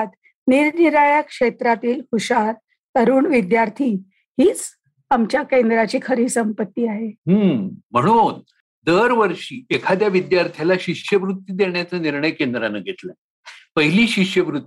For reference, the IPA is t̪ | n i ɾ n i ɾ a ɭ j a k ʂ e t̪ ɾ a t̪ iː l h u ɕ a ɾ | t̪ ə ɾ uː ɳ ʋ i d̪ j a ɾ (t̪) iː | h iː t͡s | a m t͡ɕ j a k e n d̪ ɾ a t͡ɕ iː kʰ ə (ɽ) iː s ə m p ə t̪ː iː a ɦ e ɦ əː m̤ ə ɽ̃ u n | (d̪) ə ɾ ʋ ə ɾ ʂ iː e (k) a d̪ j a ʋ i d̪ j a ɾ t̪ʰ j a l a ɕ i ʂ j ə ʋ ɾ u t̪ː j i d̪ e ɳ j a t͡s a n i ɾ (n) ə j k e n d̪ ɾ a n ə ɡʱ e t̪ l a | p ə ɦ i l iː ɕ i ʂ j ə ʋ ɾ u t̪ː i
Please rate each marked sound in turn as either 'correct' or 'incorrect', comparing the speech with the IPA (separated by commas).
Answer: incorrect, incorrect, correct, incorrect, incorrect